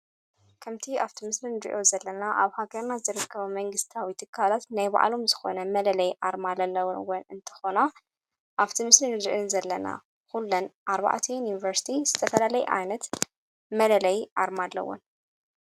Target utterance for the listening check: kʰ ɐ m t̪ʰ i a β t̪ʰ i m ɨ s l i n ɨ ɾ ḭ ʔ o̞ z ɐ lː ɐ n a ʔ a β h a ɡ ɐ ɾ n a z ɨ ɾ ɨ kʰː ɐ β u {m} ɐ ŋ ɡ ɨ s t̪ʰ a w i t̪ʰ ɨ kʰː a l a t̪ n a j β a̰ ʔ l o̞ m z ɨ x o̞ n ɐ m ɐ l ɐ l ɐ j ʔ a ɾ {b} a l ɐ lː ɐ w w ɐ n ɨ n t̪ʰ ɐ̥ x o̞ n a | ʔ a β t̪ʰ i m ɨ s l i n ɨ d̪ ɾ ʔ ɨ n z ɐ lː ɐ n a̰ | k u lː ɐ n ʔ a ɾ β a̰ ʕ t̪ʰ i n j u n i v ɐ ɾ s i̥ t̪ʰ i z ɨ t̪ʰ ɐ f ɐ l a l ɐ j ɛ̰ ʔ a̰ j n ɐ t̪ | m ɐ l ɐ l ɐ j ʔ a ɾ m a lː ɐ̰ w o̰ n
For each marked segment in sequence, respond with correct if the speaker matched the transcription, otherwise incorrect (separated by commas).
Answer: correct, incorrect